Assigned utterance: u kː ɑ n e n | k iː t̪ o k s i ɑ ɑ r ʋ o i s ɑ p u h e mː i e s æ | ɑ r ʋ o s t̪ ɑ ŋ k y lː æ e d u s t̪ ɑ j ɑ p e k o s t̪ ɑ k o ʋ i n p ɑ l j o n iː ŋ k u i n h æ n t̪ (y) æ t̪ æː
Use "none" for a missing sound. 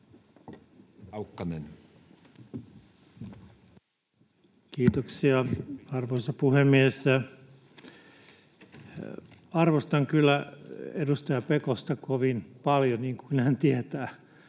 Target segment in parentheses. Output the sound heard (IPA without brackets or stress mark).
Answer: i